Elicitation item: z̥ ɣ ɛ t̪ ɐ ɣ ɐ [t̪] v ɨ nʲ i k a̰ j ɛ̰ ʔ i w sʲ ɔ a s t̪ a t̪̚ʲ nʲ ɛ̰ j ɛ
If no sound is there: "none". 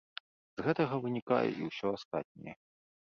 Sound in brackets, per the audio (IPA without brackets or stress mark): none